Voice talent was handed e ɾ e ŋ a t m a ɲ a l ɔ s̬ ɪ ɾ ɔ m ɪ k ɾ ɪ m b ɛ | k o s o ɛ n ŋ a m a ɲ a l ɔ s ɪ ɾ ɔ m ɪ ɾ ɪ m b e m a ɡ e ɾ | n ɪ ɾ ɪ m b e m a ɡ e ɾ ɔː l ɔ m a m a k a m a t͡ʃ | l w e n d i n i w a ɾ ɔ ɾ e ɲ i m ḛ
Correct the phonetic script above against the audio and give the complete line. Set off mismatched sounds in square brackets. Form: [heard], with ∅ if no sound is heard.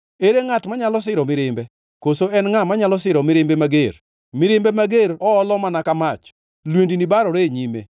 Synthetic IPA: e ɾ e ŋ a t m a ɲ a l ɔ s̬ ɪ ɾ ɔ m ɪ [∅] ɾ ɪ m b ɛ | k o s o ɛ n ŋ a m a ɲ a l ɔ s ɪ ɾ ɔ m ɪ ɾ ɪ m b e m a ɡ e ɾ | [m] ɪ ɾ ɪ m b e m a ɡ e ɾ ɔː l ɔ m a [n] a k a m a t͡ʃ | l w e n d i n i [b] a ɾ ɔ ɾ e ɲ i m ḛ